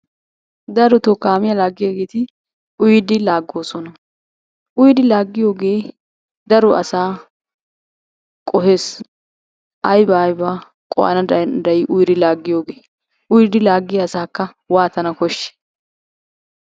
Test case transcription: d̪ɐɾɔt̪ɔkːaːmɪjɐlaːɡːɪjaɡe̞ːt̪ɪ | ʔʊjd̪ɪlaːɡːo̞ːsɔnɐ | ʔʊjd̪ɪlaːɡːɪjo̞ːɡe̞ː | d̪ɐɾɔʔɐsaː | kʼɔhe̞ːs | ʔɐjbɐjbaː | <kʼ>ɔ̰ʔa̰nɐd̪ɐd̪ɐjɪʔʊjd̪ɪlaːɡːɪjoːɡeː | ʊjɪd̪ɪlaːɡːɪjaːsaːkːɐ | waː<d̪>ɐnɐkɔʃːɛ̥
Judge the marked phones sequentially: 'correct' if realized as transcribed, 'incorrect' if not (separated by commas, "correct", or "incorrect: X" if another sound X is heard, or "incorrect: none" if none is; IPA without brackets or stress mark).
correct, incorrect: t̪